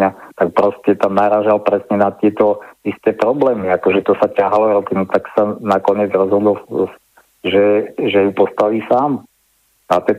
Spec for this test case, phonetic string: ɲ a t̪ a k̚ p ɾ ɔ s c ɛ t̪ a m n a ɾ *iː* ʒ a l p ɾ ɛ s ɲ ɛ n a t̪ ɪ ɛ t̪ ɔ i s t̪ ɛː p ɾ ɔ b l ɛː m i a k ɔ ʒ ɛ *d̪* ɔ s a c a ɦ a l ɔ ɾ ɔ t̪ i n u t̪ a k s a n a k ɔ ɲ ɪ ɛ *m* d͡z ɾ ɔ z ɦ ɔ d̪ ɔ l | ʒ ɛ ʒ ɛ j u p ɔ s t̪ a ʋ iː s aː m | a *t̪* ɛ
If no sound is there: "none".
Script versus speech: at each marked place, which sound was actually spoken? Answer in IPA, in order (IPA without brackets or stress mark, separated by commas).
aː, t̪, none, t̪